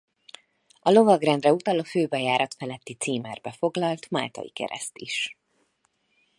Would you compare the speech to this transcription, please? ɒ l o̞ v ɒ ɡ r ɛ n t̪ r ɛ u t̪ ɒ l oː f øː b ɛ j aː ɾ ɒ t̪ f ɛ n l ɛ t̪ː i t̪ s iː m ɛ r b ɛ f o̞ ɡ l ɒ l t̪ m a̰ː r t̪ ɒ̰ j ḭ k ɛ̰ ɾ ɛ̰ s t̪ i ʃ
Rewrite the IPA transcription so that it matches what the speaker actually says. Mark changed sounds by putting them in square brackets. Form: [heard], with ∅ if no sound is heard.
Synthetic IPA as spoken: ɒ l o̞ v ɒ ɡ r ɛ n [d̪] r ɛ u t̪ ɒ l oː f øː b ɛ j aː ɾ ɒ t̪ f ɛ [∅] l ɛ t̪ː i t̪ s iː m ɛ r b ɛ f o̞ ɡ l ɒ l t̪ m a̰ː [l] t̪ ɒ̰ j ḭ k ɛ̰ ɾ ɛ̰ s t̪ i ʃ